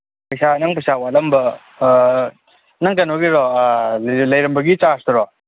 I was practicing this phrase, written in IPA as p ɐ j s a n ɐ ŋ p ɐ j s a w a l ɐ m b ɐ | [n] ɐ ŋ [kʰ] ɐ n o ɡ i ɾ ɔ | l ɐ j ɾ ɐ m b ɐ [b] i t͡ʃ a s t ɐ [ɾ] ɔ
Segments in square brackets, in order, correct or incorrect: correct, incorrect: k, incorrect: ɡ, correct

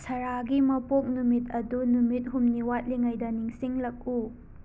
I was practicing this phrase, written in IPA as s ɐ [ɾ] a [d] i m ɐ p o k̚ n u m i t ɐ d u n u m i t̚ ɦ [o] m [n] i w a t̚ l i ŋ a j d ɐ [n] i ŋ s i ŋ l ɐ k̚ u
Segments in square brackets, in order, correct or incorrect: correct, incorrect: ɡ, incorrect: u, correct, correct

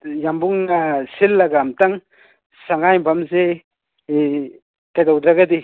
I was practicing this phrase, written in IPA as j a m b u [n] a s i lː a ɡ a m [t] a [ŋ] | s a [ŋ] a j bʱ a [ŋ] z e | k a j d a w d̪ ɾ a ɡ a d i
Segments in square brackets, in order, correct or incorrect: incorrect: ŋ, correct, correct, correct, incorrect: m

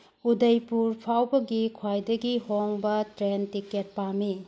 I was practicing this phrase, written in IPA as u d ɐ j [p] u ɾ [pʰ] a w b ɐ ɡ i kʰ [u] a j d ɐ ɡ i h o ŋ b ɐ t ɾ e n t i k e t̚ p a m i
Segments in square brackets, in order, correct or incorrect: correct, correct, incorrect: w

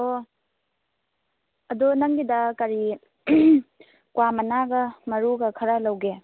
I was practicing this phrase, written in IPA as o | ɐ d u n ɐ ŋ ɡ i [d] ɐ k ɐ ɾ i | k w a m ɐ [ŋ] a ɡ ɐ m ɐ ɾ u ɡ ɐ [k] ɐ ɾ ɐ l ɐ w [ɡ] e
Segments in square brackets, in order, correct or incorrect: correct, incorrect: n, incorrect: kʰ, correct

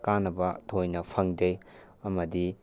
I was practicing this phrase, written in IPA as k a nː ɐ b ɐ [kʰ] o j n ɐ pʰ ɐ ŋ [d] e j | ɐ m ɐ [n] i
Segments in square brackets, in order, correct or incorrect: incorrect: tʰ, correct, incorrect: d

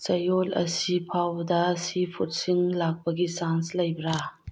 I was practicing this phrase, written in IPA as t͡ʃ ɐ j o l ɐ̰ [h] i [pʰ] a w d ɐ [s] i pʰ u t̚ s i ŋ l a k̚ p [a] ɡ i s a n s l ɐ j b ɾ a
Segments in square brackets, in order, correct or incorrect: incorrect: s, correct, correct, incorrect: ɐ

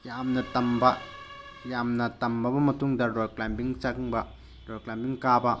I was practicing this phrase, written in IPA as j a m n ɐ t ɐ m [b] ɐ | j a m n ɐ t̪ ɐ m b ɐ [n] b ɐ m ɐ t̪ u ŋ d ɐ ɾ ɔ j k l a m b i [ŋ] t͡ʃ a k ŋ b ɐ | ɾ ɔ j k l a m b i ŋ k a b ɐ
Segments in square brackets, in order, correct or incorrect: correct, incorrect: none, correct

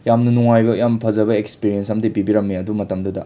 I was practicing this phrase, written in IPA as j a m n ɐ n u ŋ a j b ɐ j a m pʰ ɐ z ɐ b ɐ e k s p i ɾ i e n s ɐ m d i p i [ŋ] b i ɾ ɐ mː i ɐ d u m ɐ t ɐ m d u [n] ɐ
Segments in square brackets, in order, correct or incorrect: incorrect: none, incorrect: d

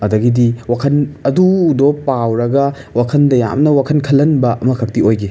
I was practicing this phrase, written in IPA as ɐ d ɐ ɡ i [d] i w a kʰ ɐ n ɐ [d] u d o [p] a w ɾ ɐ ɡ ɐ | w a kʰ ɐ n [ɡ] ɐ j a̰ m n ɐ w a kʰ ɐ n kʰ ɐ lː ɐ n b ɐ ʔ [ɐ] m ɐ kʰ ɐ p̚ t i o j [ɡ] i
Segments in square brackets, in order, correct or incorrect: correct, correct, correct, incorrect: d, correct, correct

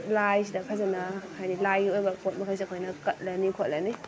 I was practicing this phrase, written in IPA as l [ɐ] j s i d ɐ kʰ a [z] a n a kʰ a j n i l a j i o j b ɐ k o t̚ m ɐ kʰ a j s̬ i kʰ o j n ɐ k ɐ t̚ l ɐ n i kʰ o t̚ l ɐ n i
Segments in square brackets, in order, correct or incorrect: incorrect: a, correct

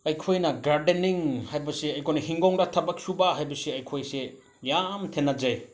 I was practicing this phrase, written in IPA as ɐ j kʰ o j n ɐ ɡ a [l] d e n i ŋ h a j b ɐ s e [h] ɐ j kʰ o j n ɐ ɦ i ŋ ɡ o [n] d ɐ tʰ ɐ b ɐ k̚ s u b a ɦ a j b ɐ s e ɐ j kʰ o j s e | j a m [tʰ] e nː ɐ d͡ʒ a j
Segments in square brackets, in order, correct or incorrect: incorrect: ɾ, incorrect: none, incorrect: ŋ, correct

